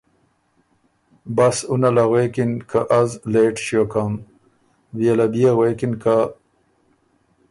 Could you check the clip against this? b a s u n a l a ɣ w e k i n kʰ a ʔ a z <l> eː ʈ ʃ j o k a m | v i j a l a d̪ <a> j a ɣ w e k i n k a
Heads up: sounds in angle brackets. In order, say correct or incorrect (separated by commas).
correct, incorrect